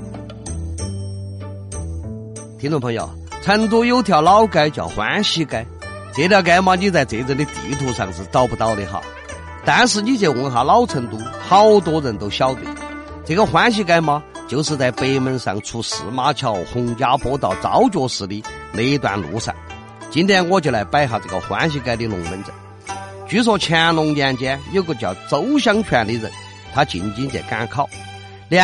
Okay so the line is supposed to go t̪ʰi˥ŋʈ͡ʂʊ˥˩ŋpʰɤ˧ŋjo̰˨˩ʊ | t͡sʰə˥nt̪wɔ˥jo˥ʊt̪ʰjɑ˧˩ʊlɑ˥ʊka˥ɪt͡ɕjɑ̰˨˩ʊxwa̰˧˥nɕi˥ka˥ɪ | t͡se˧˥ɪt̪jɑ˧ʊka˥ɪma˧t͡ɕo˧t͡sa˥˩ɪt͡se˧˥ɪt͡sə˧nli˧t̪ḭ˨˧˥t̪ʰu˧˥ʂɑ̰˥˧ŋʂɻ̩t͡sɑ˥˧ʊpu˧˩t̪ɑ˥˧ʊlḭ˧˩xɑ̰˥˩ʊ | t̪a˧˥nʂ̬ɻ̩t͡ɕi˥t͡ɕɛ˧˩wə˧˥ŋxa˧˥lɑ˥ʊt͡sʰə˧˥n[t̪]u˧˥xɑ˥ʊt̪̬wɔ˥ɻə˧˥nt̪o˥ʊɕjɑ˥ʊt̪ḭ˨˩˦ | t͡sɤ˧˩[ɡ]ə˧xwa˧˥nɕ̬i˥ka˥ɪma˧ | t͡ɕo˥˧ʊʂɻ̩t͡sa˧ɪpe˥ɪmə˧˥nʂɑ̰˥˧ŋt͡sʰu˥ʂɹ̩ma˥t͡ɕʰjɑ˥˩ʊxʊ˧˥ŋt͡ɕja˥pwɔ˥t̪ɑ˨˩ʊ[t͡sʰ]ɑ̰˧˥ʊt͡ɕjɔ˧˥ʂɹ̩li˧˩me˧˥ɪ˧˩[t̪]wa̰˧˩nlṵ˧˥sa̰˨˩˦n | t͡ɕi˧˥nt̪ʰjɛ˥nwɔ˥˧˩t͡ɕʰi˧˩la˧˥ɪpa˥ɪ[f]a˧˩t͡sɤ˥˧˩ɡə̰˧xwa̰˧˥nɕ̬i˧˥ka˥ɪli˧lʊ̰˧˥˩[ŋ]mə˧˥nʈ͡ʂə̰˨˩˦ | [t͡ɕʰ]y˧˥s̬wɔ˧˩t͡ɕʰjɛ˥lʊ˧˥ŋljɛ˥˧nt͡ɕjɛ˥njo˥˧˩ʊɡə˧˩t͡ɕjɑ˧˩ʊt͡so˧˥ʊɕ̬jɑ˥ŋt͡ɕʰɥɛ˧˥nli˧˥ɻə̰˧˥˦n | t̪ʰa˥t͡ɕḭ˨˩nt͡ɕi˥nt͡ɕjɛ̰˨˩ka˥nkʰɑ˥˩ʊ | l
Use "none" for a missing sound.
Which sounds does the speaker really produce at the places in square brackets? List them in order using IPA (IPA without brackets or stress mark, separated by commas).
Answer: t̪, ɡ, t͡s, t̪, x, ŋ, t͡ɕ